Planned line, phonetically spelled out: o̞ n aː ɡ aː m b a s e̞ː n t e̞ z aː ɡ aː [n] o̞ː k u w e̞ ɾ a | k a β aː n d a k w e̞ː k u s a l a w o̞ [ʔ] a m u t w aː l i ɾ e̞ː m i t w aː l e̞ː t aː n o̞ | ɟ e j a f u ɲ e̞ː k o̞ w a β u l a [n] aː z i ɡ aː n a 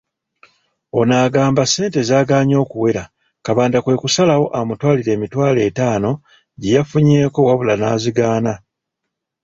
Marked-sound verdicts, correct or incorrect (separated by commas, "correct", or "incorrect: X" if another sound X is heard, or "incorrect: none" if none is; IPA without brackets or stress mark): incorrect: ɲ, correct, correct